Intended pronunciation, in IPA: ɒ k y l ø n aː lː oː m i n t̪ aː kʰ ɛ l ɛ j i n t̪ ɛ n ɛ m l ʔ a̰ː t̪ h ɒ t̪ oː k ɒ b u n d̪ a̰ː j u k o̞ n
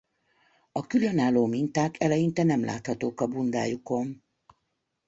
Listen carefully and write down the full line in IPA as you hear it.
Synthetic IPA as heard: ɒ k y l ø n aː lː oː m i n t̪ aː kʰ ɛ l ɛ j i n t̪ ɛ n ɛ m l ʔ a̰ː t̪ h ɒ t̪ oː k ɒ b u n d̪ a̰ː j u k o̞ n

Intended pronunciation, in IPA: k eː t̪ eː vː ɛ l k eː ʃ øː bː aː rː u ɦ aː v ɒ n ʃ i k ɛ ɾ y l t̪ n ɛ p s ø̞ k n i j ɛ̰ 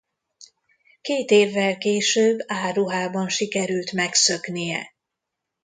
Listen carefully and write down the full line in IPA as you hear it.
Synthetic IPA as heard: k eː t̪ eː vː ɛ l k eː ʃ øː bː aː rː u ɦ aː b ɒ n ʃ i k ɛ ɾ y l t̪ m ɛ k s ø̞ k n i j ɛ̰

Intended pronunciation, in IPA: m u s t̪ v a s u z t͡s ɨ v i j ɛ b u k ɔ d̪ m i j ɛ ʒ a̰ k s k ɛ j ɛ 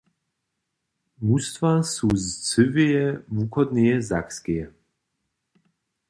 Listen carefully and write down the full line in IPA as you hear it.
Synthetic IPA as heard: m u s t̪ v a s u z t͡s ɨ v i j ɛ v u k ɔ d̪ n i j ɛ z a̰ k s k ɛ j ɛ

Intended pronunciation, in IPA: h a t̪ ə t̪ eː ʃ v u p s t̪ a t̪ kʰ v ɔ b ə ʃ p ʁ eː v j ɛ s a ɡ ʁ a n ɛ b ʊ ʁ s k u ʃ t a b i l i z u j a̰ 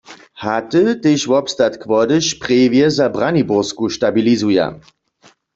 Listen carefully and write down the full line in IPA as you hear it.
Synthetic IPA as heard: h a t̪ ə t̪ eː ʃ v ɔ p s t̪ a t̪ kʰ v ɔ d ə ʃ p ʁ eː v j ɛ z a b ʁ a n i b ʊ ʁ s k u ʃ t a b i l i z u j a̰

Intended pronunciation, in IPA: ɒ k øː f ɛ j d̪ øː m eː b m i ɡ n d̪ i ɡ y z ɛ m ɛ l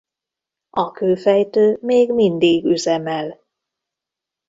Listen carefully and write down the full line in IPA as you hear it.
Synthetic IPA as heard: ɒ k øː f ɛ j t̪ øː m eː ɡ m i n d̪ i ɡ y z ɛ m ɛ l

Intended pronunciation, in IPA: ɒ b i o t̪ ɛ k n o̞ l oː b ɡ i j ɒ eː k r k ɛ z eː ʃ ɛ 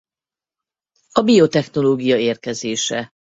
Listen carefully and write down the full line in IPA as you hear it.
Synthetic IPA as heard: ɒ b i o t̪ ɛ x n o̞ l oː ɡ i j ɒ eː r k ɛ z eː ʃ ɛ

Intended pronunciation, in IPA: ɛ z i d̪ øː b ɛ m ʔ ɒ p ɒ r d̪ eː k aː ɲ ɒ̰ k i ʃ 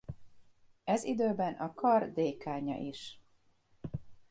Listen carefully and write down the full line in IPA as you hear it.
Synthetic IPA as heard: ɛ z i d̪ øː b ɛ n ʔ ɒ k ɒ r d̪ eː k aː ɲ ɒ̰ ʔ i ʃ

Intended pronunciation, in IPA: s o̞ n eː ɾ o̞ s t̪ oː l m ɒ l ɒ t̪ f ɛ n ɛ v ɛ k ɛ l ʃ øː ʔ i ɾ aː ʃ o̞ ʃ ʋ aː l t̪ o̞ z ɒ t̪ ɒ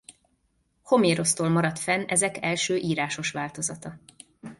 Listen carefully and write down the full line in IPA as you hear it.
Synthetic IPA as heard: h o̞ m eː ɾ o̞ s t̪ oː l m ɒ ɾ ɒ t̪ f ɛ n ɛ z ɛ k ɛ l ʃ øː ʔ iː ɾ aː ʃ o̞ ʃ ʋ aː l t̪ o̞ z ɒ t̪ ɒ

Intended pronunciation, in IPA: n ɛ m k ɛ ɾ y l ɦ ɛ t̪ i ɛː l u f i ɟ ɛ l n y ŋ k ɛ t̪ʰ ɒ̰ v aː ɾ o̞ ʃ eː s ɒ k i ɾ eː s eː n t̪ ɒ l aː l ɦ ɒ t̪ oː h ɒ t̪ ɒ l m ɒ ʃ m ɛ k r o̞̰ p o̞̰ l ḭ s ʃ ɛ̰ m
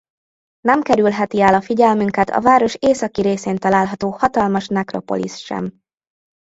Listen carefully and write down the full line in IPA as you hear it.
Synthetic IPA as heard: n ɛ m k ɛ ɾ y l ɦ ɛ t̪ i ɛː l ɒ f i ɟ ɛ l m y ŋ k ɛ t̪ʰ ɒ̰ v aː ɾ o̞ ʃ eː s ɒ k i ɾ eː s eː n t̪ ɒ l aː l ɦ ɒ t̪ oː h ɒ t̪ ɒ l m ɒ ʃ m ɛ k r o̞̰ p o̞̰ l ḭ s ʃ ɛ̰ m

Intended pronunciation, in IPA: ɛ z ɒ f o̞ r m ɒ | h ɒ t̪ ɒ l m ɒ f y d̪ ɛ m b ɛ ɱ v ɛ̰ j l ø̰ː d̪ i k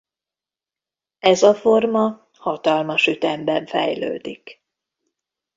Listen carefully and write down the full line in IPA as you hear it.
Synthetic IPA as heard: ɛ z ɒ f o̞ r m ɒ | h ɒ t̪ ɒ l m ɒ ʃ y t̪ ɛ m b ɛ ɱ f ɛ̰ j l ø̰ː d̪ i k

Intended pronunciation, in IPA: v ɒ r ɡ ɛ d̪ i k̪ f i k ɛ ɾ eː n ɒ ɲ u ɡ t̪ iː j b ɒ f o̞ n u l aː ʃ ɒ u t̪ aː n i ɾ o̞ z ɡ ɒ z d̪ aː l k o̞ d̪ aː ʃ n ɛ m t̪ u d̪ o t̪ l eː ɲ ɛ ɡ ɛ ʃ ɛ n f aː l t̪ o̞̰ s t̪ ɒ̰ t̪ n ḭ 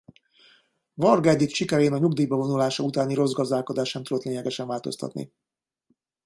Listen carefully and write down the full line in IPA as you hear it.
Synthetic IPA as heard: v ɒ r ɡ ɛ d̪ i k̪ ʃ i k ɛ ɾ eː n ɒ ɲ u ɡ d̪ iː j b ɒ v o̞ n u l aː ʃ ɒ u t̪ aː n i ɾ o̞ z ɡ ɒ z d̪ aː l k o̞ d̪ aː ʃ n ɛ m t̪ u d̪ o t̪ l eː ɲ ɛ ɡ ɛ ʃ ɛ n v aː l t̪ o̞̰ s t̪ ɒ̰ t̪ n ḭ

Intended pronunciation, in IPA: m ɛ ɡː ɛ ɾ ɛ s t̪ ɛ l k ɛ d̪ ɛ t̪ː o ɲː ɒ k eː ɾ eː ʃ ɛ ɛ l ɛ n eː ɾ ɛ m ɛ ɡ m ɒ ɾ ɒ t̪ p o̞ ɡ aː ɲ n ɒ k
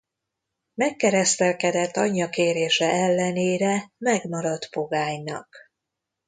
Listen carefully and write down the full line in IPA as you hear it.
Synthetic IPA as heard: m ɛ kː ɛ ɾ ɛ s t̪ ɛ l k ɛ d̪ ɛ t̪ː ɒ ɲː ɒ k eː ɾ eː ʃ ɛ ɛ lː ɛ n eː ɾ ɛ m ɛ ɡ m ɒ ɾ ɒ t̪ p o̞ ɡ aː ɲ n ɒ k

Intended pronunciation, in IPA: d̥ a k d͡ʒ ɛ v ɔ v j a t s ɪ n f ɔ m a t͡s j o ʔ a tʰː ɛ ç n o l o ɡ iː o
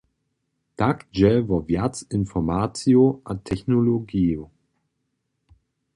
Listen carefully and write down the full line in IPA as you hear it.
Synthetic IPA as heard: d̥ a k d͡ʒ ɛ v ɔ v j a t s ɪ n f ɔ m a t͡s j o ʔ a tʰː ɛ ç n o l o ɡ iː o

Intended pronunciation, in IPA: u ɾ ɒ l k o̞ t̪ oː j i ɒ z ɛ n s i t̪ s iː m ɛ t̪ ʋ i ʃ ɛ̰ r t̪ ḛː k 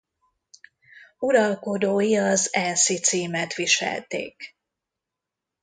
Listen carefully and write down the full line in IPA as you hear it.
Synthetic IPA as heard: u ɾ ɒ l k o̞ d̪ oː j i ɒ z ɛ n s i t̪ s iː m ɛ t̪ ʋ i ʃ ɛ̰ l t̪ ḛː k

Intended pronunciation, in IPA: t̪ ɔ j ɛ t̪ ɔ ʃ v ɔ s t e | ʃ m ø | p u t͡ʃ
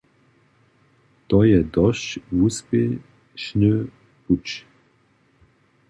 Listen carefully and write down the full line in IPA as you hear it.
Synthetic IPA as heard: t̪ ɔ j ɛ d̪ ɔ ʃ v u s p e | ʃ n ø | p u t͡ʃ

